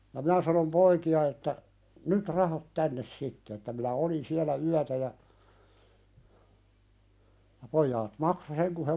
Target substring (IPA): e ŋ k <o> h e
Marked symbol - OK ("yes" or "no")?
no